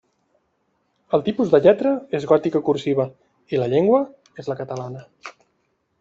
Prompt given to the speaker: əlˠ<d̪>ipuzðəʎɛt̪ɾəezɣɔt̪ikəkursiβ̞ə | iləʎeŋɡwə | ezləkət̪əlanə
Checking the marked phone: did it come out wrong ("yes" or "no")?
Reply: yes